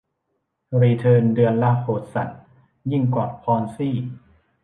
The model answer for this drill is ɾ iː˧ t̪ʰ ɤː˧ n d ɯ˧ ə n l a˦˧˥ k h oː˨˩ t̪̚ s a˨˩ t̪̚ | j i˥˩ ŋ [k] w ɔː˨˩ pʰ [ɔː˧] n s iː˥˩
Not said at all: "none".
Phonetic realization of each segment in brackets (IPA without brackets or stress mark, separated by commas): k, ɔː˧